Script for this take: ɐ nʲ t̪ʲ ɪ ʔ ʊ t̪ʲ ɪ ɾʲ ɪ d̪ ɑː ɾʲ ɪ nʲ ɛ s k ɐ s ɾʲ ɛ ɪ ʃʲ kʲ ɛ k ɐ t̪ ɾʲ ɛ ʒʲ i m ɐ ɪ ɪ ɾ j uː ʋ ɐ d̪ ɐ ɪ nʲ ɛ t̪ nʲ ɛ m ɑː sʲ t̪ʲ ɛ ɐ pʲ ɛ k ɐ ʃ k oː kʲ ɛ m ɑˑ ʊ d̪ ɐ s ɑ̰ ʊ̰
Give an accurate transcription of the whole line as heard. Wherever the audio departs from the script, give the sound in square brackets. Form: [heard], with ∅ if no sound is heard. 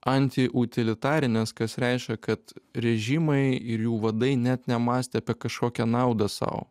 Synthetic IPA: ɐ nʲ t̪ʲ ɪ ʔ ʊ t̪ʲ ɪ [lʲ] ɪ [t̪] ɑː ɾʲ ɪ nʲ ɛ s k ɐ s ɾʲ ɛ ɪ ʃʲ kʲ ɛ k ɐ t̪ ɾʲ ɛ ʒʲ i m ɐ ɪ ɪ ɾ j uː ʋ ɐ d̪ ɐ ɪ nʲ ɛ t̪ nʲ ɛ m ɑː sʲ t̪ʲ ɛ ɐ pʲ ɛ k ɐ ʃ k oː kʲ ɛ [n] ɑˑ ʊ d̪ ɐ s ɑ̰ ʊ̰

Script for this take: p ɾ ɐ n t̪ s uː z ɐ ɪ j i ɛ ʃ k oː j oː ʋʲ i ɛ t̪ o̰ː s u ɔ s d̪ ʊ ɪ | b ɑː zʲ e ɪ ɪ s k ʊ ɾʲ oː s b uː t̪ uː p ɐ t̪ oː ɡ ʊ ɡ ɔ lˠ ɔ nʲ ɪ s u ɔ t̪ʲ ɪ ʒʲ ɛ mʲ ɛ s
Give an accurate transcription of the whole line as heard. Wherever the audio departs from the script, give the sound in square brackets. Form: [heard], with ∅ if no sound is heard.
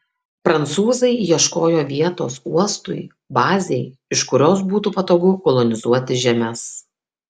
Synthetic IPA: p ɾ ɐ n t̪ s uː z ɐ ɪ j i ɛ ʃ k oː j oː ʋʲ i ɛ t̪ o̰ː s u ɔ s [t̪] ʊ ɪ | b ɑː zʲ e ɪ ɪ [ʃ] k ʊ ɾʲ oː s b uː t̪ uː p ɐ t̪ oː ɡ ʊ [k] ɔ lˠ ɔ nʲ ɪ [z] u ɔ t̪ʲ ɪ ʒʲ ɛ mʲ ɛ s

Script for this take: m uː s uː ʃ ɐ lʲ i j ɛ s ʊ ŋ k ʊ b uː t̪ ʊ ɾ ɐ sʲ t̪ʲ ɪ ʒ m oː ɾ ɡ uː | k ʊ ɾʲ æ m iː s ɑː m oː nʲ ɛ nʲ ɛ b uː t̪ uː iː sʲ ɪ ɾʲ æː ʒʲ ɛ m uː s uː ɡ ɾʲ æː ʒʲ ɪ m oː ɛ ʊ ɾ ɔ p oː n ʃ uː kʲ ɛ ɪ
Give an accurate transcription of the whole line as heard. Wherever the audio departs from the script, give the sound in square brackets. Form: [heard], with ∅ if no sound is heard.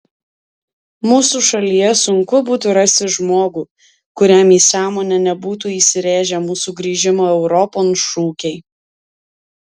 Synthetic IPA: m uː s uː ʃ ɐ lʲ i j ɛ s ʊ ŋ k ʊ b uː t̪ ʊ ɾ ɐ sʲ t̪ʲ ɪ ʒ m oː [∅] ɡ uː | k ʊ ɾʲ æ m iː s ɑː m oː nʲ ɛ nʲ ɛ b uː t̪ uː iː sʲ ɪ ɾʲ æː ʒʲ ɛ m uː s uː ɡ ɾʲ [iː] ʒʲ ɪ m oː ɛ ʊ ɾ ɔ p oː n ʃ uː kʲ ɛ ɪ

